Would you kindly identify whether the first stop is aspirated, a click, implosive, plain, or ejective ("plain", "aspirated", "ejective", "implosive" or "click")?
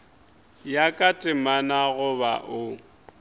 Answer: ejective